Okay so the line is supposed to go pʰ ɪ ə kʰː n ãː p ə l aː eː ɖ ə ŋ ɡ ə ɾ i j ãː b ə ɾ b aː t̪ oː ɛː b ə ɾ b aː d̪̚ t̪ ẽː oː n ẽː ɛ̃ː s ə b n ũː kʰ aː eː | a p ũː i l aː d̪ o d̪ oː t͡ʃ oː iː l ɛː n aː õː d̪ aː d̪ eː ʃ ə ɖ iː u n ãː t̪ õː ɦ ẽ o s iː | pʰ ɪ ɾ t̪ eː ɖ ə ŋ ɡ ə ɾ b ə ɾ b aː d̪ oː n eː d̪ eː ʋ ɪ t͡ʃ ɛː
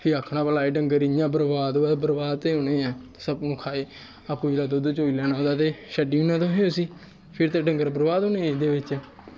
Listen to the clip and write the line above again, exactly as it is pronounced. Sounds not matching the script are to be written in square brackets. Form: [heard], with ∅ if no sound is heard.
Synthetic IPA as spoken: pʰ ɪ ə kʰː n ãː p ə l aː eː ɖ ə ŋ ɡ ə ɾ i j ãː b ə ɾ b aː [d̪] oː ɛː b ə ɾ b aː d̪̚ t̪ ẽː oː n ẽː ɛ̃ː s ə b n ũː kʰ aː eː | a p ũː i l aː d̪ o d̪ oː t͡ʃ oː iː l ɛː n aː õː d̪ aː [t̪] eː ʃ ə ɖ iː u n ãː t̪ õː ɦ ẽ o s iː | pʰ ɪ ɾ t̪ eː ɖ ə ŋ ɡ ə ɾ b ə ɾ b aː d̪ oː n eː d̪ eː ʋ ɪ t͡ʃ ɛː